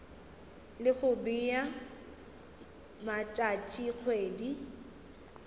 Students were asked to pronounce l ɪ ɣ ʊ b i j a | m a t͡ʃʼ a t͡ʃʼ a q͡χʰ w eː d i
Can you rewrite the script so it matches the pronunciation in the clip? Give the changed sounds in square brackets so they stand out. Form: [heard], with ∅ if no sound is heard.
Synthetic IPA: l ɪ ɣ ʊ b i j a | m a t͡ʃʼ a t͡ʃʼ [i] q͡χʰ w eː d i